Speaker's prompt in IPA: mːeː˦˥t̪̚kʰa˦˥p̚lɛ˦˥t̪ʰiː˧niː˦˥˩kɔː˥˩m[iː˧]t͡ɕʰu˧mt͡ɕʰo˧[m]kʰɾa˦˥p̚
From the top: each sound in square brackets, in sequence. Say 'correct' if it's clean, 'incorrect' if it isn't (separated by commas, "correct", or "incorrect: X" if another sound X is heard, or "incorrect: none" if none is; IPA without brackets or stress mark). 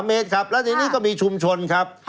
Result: correct, incorrect: n